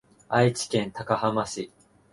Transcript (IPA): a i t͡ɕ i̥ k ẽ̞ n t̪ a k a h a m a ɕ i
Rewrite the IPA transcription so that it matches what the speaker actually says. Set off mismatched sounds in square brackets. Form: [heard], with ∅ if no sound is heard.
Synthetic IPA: a i t͡ɕ i̥ k ẽ̞ n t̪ a k a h a m a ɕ i